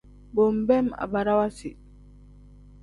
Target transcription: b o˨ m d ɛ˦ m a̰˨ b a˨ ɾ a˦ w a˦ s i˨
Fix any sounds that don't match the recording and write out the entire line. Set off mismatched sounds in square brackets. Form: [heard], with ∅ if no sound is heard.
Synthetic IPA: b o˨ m [b] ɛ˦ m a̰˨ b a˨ ɾ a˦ w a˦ s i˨